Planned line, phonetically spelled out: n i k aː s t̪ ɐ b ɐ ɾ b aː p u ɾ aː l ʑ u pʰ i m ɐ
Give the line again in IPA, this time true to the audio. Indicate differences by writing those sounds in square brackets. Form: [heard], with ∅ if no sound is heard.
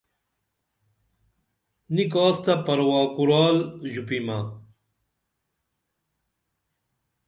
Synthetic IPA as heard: n i k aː s t̪ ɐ [p] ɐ ɾ [w] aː [k] u ɾ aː l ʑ u [p] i m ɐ